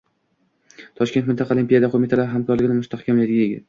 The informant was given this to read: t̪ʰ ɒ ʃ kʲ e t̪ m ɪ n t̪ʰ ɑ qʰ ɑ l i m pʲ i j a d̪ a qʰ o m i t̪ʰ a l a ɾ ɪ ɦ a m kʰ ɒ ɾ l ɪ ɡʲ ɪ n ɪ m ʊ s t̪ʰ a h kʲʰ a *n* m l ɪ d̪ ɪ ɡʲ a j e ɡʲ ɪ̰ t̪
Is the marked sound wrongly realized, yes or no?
yes